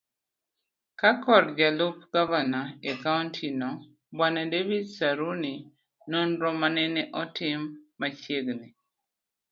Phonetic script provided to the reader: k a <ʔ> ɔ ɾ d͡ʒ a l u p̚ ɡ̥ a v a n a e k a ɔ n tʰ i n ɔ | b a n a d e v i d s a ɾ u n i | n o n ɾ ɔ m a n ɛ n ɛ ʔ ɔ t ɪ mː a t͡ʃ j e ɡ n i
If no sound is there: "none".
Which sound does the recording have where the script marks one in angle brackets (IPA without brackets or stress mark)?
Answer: k